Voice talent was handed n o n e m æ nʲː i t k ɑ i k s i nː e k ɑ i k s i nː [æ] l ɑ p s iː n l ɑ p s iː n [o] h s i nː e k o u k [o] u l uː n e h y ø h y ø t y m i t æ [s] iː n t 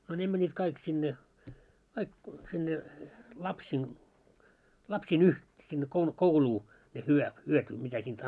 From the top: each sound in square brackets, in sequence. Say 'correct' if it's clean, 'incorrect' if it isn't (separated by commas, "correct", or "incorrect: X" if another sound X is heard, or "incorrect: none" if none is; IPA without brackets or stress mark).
incorrect: e, incorrect: u, correct, correct